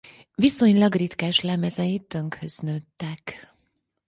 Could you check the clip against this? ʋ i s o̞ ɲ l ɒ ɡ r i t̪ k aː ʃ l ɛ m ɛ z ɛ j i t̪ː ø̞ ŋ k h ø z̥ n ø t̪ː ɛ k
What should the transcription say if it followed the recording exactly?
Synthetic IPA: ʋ i s o̞ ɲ l ɒ ɡ r i t̪ k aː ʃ l ɛ m ɛ z ɛ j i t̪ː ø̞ ŋ k h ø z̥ n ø t̪ː ɛ k